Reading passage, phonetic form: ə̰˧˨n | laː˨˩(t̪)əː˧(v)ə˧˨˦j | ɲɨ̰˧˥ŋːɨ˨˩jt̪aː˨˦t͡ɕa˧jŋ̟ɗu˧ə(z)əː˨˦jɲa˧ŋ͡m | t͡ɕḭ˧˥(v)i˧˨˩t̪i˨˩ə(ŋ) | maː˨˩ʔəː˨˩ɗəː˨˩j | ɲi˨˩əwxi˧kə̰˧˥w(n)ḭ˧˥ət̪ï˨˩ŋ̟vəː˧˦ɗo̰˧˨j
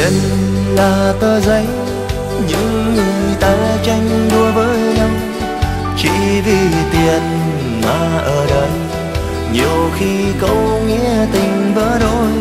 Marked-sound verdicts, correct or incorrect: correct, incorrect: z, incorrect: v, correct, incorrect: n, incorrect: ŋ

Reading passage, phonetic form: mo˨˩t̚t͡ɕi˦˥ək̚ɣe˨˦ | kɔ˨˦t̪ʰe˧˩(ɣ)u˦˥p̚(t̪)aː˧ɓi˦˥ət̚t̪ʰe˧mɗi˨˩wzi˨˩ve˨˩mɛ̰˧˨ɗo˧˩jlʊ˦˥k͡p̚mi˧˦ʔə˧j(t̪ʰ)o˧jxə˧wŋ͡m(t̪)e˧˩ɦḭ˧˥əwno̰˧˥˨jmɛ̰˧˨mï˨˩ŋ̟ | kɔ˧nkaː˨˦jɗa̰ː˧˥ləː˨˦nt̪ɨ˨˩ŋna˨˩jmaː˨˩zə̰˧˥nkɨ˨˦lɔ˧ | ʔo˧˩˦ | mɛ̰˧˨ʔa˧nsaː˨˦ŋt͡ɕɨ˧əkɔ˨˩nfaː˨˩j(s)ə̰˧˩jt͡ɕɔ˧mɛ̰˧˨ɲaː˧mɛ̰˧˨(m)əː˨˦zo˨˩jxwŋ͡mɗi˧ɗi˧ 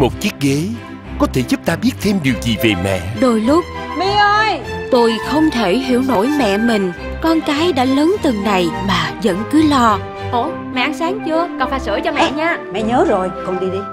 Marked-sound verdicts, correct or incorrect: incorrect: z, correct, incorrect: t̪, incorrect: t̪ʰ, correct, incorrect: ɲ

